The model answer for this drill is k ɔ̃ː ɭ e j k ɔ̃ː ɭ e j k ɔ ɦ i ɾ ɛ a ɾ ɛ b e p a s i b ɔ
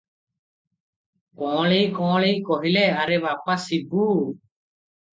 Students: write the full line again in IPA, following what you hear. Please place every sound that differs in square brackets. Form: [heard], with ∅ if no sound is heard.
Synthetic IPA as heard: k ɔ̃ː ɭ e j k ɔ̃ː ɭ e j k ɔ ɦ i [l] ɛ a ɾ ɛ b [a] p a s i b [u]